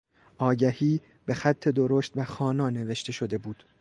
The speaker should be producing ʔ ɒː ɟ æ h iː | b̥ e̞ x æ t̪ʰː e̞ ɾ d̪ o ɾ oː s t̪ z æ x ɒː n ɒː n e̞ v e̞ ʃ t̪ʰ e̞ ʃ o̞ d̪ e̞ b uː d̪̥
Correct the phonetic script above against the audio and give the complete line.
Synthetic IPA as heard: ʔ ɒː ɟ æ h iː | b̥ e̞ x æ t̪ʰː e̞ d̪ o ɾ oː ʃ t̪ v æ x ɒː n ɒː n e̞ v e̞ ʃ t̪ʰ e̞ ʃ o̞ d̪ e̞ b uː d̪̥